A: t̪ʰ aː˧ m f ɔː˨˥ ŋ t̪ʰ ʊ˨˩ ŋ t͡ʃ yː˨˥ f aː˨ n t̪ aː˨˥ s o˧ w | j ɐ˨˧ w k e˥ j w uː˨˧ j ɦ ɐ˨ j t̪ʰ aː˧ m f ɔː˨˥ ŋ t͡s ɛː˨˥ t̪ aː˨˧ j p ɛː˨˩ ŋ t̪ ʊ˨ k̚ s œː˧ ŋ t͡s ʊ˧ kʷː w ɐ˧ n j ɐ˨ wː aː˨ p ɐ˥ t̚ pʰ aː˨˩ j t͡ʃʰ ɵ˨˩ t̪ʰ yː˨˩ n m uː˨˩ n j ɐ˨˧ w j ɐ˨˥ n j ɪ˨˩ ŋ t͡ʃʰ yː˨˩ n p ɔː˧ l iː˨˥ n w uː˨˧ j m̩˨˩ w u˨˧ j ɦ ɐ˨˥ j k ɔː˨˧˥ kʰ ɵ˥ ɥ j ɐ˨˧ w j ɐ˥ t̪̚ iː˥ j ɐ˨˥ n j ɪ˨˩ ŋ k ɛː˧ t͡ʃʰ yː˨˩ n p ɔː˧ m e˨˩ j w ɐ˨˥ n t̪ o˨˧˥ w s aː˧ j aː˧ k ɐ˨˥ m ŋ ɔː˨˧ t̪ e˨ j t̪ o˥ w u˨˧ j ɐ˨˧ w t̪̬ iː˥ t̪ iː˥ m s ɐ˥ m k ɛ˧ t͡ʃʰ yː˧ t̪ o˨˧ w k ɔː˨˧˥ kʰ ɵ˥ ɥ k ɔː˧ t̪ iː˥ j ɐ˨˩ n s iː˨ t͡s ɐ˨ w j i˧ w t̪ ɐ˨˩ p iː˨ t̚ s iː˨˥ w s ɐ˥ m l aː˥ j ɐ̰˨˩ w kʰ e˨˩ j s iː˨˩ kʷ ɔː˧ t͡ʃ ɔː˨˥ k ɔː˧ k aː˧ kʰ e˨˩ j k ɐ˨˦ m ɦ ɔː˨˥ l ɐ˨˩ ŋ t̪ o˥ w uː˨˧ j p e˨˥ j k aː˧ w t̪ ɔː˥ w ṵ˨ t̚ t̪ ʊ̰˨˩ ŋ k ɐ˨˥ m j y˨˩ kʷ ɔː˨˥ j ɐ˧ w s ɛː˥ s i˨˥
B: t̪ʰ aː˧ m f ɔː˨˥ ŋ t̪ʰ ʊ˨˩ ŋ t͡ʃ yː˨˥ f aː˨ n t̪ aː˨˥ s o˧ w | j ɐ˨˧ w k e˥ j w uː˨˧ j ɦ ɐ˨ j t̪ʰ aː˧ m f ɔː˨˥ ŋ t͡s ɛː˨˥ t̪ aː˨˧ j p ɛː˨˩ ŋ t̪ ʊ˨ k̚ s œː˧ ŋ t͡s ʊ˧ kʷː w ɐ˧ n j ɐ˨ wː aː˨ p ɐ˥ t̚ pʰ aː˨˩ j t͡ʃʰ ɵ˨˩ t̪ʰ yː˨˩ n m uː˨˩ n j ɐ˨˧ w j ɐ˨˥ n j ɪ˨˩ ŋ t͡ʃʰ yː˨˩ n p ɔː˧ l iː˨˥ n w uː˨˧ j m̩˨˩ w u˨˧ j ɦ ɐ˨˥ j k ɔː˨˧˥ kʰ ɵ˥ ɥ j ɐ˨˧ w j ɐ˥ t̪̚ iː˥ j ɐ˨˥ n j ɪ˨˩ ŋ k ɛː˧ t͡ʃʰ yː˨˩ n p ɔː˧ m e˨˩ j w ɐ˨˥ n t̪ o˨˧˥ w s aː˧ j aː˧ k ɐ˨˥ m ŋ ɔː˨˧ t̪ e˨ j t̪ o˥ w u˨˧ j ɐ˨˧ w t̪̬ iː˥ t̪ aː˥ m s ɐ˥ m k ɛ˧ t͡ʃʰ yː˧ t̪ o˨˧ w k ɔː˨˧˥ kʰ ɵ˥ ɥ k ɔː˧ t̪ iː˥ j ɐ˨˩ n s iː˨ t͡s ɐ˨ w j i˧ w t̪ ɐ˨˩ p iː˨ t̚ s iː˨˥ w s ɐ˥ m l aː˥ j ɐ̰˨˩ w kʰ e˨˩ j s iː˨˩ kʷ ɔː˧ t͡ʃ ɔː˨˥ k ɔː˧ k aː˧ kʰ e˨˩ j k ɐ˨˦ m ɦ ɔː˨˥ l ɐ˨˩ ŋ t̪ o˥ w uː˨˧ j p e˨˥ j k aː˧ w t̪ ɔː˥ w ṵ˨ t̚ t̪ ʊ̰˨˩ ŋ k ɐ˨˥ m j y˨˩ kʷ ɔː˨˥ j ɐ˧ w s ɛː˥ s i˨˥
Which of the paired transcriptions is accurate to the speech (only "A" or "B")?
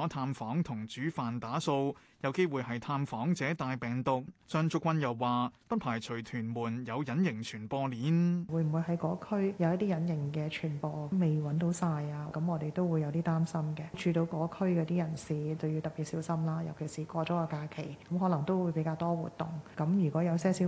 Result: B